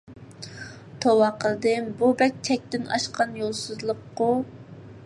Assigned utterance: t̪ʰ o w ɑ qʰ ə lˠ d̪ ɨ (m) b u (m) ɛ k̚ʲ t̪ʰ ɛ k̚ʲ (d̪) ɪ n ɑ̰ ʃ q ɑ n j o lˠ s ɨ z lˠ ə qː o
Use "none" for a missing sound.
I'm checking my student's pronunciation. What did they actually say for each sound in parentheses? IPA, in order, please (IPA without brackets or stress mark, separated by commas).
m, b, t̪